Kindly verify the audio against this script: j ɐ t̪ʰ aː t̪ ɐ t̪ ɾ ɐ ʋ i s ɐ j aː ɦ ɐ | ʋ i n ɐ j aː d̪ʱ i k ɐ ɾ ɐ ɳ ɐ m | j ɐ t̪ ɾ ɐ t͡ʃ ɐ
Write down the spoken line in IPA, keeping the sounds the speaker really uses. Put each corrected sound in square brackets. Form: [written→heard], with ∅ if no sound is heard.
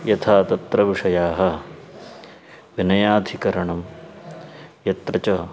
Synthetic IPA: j ɐ t̪ʰ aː t̪ ɐ t̪ ɾ ɐ ʋ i [s→ʂ] ɐ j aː ɦ ɐ | ʋ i n ɐ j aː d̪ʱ i k ɐ ɾ ɐ ɳ ɐ m | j ɐ t̪ ɾ ɐ t͡ʃ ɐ